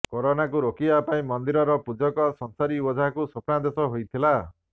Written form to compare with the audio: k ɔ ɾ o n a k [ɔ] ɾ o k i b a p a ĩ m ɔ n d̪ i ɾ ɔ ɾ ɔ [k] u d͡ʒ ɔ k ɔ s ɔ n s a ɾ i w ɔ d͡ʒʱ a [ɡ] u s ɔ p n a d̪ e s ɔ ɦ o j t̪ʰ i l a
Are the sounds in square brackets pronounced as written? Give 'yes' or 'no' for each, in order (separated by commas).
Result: no, no, no